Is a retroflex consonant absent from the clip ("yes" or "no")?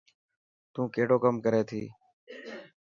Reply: no